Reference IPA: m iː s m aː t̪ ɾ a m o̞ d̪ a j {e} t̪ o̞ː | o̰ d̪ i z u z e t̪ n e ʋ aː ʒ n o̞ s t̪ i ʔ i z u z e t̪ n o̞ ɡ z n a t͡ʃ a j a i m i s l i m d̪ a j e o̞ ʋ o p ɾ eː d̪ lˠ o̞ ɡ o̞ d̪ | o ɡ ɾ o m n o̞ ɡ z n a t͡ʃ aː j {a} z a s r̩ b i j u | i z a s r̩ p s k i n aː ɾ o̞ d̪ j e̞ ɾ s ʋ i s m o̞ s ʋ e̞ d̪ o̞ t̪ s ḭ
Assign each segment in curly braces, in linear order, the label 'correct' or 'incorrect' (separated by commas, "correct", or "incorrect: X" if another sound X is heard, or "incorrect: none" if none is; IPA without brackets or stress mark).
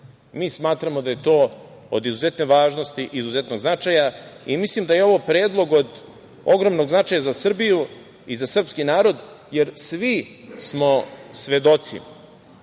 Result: correct, correct